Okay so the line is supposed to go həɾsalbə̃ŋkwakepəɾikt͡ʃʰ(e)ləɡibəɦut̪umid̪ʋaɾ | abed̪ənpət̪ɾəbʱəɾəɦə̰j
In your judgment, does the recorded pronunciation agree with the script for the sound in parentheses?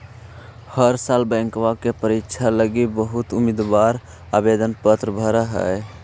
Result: no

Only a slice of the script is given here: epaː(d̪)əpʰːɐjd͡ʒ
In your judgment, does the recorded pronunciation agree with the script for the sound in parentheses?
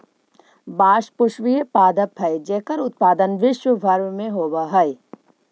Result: yes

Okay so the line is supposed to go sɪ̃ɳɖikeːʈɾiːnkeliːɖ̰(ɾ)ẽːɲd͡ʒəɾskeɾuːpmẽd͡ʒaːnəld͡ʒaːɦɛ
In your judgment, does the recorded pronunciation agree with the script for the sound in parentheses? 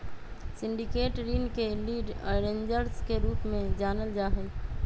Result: yes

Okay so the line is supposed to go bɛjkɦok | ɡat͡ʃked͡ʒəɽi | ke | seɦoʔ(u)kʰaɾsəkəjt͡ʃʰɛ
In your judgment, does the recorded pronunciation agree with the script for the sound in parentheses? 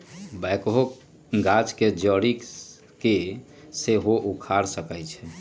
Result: yes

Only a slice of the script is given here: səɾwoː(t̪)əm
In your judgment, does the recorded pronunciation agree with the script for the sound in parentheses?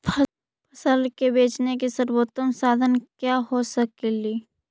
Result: yes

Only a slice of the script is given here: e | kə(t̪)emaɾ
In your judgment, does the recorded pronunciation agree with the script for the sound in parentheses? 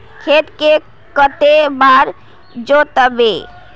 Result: yes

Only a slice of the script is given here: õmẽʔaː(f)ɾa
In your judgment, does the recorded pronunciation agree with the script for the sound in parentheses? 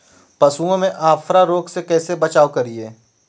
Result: yes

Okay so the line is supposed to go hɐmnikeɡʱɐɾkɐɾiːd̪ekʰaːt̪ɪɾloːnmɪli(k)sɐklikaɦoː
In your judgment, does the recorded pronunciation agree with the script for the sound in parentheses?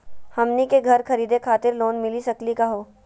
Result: no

